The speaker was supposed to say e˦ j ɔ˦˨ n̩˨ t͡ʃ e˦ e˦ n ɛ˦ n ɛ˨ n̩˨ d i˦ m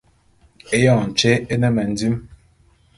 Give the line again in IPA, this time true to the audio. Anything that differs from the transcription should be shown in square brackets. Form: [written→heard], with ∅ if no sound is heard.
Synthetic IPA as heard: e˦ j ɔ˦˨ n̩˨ t͡ʃ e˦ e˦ n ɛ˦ [n→m] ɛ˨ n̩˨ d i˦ m